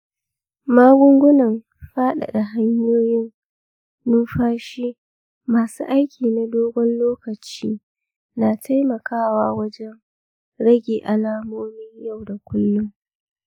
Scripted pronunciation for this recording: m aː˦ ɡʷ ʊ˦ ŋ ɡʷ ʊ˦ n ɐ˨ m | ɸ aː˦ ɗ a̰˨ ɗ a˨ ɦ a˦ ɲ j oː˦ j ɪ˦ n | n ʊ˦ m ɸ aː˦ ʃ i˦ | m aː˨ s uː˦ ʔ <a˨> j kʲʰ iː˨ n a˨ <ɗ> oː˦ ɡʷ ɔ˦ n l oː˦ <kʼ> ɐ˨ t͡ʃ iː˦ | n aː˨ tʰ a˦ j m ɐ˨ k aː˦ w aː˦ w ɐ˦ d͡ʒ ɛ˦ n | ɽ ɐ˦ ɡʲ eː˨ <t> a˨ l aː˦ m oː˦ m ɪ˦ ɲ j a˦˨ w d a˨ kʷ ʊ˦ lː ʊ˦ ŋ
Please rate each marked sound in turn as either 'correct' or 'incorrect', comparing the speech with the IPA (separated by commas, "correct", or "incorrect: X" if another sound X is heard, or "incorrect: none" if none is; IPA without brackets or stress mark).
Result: incorrect: a˦, incorrect: d, incorrect: k, incorrect: ʔ